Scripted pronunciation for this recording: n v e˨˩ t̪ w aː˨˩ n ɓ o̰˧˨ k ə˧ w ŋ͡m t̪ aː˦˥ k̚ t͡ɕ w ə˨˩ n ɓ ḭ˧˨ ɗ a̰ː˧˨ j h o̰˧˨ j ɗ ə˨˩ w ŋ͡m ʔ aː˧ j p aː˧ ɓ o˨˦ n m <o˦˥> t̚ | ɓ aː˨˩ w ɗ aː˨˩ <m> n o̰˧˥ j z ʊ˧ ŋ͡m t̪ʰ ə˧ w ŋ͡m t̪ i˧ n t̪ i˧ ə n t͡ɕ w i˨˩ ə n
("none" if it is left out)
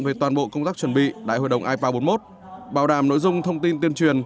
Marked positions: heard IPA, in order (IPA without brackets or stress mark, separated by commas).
o˦˥, m